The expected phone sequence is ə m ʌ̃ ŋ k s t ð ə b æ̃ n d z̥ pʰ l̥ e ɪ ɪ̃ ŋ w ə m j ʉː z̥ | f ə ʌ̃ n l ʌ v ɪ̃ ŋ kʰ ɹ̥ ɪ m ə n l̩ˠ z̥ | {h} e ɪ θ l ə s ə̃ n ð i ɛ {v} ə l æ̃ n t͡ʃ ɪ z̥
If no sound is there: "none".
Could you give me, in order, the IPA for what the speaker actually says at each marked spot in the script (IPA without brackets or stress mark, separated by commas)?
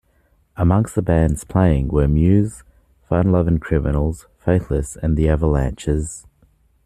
f, v